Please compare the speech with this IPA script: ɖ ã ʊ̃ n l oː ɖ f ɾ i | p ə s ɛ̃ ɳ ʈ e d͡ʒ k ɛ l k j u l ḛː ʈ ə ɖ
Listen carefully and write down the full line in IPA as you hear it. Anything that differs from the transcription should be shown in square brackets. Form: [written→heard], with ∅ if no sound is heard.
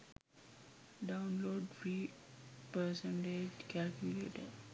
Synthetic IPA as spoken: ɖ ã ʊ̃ n l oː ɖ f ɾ i | p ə s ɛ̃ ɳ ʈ e d͡ʒ k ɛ l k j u l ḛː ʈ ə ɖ